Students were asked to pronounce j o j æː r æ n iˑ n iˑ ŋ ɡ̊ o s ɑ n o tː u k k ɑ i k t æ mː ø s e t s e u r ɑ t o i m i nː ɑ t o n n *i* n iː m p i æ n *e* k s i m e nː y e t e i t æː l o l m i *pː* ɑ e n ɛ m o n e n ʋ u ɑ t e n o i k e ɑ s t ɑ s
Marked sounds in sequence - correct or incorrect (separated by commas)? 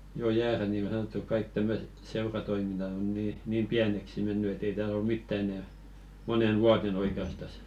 incorrect, correct, incorrect